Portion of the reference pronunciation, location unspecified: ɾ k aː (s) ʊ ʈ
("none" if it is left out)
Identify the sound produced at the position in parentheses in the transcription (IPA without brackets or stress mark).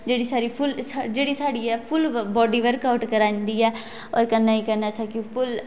none